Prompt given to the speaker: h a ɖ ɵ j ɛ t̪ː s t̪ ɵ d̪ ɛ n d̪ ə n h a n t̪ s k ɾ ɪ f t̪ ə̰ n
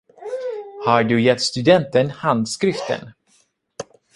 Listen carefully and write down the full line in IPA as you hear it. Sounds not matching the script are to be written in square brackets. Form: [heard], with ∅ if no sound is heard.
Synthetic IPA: h a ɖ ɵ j ɛ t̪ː s t̪ ɵ d̪ ɛ n [t̪] ə n h a n [d̪] s k ɾ ɪ f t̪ ə̰ n